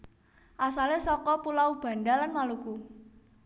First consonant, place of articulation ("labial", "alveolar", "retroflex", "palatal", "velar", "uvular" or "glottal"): glottal